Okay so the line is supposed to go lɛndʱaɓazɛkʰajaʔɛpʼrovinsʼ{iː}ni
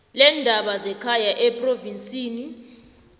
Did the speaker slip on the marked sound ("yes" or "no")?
no